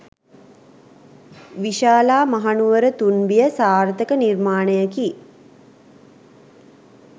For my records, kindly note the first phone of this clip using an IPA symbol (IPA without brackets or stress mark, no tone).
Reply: ʋ